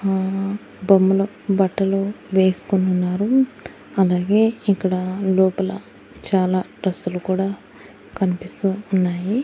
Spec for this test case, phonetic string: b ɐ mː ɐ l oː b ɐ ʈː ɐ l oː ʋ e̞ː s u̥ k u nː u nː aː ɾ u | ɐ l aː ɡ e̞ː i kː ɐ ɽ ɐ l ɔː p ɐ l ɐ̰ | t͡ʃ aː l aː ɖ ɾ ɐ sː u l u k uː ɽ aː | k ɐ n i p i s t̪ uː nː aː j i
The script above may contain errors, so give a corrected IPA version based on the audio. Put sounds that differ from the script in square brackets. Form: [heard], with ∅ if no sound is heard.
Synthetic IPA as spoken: b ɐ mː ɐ l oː b ɐ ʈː ɐ l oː ʋ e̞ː s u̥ k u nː u nː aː ɾ u | ɐ l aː ɡ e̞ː i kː ɐ ɽ ɐ l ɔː p ɐ l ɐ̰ | t͡ʃ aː l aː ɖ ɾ ɐ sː u l u k uː ɽ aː | k ɐ n i p i s t̪ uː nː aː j i